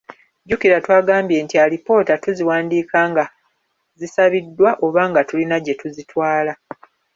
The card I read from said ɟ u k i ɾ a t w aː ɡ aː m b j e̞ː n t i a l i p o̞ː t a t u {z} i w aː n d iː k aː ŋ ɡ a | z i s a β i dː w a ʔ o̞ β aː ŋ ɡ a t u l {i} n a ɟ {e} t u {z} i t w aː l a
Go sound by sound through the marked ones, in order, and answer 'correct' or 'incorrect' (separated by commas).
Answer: correct, correct, correct, correct